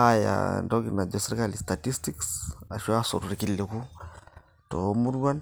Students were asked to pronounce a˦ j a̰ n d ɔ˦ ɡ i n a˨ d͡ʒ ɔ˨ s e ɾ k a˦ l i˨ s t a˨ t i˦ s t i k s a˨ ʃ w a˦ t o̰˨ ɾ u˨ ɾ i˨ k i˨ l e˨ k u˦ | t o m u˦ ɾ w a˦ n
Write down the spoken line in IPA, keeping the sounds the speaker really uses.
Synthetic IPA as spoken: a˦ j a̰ n d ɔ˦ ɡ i n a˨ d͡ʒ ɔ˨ s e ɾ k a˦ l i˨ s t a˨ t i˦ s t i k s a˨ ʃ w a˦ s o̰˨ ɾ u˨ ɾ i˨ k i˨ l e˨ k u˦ | t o m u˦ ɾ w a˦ n

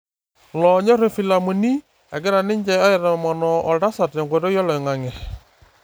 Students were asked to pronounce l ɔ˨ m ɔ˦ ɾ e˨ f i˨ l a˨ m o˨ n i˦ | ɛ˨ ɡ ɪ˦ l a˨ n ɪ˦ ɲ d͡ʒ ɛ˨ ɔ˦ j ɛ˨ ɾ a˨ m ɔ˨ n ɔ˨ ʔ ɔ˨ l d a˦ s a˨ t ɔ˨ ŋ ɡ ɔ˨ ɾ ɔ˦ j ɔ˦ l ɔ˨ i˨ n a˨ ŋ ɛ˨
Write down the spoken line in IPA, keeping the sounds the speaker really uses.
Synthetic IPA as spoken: l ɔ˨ ɲ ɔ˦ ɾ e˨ f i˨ l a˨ m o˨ n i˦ | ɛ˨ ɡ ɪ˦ ɾ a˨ n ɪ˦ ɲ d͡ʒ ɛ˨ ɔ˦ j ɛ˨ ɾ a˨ m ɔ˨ n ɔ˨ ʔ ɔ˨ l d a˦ s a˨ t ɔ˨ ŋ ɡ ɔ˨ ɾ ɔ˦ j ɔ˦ l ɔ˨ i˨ ŋ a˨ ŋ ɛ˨

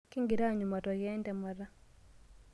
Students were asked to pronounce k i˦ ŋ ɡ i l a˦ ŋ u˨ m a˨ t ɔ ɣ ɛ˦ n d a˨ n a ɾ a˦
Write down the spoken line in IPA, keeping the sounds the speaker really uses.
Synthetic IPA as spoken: k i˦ ŋ ɡ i ɾ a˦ ɲ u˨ m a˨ t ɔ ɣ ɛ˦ n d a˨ m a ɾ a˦

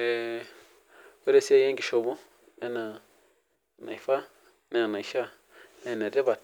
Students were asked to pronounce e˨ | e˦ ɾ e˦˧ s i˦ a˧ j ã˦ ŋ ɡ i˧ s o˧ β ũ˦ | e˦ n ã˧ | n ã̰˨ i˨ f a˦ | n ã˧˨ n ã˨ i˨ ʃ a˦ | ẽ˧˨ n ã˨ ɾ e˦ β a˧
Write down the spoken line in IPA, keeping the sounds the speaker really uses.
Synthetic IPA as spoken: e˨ | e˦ ɾ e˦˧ s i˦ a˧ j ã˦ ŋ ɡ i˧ ʃ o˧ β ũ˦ | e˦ n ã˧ | n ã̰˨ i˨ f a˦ | n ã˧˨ n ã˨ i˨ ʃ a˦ | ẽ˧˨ n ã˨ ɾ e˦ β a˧

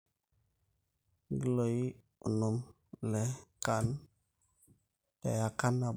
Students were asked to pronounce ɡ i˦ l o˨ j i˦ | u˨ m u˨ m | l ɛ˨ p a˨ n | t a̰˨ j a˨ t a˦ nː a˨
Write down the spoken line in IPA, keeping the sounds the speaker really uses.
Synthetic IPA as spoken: ɡ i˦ l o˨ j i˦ | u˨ n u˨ m | l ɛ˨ k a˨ n | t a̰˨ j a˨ k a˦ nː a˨

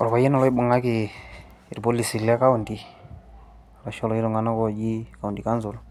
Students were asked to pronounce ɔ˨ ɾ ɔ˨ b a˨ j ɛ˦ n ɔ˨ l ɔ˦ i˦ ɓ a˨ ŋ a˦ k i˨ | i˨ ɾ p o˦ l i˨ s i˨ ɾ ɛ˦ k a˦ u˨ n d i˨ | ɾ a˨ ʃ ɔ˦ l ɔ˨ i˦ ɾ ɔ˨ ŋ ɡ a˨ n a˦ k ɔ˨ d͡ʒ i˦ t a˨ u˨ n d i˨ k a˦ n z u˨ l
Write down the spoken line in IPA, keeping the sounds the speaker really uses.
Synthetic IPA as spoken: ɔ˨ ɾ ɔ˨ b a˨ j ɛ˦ n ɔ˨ l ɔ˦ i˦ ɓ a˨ ŋ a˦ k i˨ | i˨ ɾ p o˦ l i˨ s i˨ l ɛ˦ k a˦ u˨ n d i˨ | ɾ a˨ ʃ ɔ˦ l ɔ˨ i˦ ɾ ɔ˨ ŋ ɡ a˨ n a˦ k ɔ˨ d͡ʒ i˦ k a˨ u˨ n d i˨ k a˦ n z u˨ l

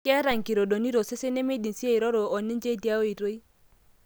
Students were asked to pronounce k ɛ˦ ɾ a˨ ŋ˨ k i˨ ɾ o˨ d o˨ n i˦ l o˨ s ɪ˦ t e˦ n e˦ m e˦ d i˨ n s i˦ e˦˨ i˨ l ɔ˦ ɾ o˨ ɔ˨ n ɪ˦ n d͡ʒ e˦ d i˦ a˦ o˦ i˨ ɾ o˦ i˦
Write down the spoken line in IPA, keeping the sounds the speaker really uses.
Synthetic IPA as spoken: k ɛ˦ ɾ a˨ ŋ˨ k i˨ ɾ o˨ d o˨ n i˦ ɾ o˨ s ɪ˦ s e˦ n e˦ m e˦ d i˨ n s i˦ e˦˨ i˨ ɾ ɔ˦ ɾ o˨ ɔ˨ n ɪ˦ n d͡ʒ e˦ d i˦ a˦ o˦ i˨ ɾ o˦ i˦

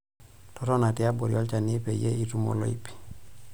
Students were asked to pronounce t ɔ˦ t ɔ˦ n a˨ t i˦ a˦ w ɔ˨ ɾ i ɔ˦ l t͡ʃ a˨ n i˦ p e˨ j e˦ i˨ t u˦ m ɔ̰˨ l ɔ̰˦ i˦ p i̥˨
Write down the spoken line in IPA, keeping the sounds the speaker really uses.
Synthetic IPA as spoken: t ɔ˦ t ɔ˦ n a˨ t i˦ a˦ b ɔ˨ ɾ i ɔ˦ l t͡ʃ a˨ n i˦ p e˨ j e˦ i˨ t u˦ m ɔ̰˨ l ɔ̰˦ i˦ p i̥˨

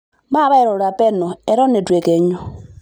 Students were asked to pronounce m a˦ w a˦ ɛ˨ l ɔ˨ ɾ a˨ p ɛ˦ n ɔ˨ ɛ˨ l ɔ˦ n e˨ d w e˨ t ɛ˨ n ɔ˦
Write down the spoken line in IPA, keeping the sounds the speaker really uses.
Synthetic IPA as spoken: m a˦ β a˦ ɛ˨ ɾ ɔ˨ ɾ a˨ p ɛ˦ n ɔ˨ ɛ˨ ɾ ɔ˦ n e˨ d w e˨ k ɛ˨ ɲ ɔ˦

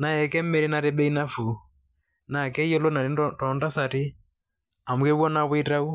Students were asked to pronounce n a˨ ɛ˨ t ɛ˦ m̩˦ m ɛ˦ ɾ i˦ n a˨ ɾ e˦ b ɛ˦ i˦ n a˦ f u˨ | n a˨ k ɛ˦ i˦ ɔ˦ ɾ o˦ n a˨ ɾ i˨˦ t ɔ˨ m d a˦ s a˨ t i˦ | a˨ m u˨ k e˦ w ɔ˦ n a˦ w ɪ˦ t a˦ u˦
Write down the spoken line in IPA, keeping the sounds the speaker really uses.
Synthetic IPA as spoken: n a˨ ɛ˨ k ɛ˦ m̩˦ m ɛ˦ ɾ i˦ n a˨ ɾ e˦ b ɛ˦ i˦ n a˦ f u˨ | n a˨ k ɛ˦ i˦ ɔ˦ l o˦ n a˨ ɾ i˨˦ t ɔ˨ n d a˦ s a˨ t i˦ | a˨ m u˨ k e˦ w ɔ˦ n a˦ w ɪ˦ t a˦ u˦

